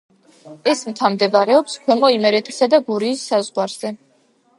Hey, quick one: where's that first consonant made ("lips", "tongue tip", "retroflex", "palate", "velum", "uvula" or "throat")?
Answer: tongue tip